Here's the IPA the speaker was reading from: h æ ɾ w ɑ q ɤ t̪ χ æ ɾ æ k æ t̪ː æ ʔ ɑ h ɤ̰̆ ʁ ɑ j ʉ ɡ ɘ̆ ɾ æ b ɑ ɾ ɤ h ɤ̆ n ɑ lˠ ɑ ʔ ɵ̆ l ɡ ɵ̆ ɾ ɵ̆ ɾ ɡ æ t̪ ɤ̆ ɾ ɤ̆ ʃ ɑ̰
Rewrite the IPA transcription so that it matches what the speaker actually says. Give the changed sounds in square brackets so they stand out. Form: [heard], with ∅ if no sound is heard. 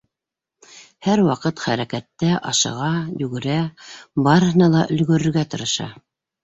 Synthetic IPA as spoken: h æ ɾ w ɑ q ɤ t̪ χ æ ɾ æ k æ t̪ː æ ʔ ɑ [ʃ] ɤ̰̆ ʁ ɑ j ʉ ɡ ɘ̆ ɾ æ b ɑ ɾ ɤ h ɤ̆ n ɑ lˠ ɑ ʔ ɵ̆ l ɡ ɵ̆ ɾ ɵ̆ ɾ ɡ æ t̪ ɤ̆ ɾ ɤ̆ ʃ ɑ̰